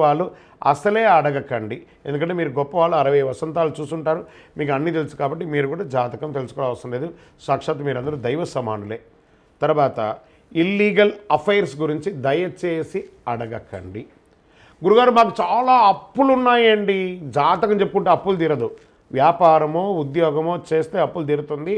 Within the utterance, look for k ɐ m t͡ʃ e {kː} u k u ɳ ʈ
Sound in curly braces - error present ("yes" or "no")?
yes